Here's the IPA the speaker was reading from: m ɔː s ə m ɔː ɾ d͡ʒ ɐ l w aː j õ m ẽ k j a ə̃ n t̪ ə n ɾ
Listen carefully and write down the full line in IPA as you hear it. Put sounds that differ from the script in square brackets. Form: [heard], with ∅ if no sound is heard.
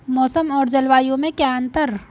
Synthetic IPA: m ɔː s ə m ɔː ɾ d͡ʒ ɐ l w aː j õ m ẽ k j a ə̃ n t̪ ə [∅] ɾ